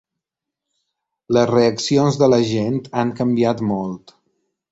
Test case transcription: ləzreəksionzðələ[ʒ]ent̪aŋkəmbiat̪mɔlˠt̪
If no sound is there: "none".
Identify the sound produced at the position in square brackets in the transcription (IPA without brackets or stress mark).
ʒ